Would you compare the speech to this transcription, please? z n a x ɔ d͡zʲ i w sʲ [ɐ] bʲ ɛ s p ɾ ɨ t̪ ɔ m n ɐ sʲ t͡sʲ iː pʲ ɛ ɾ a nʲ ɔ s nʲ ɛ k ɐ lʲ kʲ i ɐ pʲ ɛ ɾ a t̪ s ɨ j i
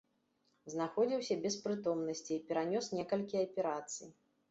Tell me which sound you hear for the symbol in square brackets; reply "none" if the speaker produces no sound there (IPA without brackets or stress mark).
ɐ